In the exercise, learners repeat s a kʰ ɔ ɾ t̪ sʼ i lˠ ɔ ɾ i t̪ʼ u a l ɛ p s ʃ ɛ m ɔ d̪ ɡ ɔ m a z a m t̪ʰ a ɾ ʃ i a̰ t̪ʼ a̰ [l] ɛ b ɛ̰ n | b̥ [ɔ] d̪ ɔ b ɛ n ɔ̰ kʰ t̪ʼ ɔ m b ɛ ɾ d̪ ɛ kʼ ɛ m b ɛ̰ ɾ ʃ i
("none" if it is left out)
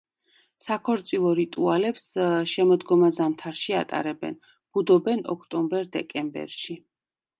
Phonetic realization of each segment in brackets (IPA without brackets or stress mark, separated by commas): ɾ, u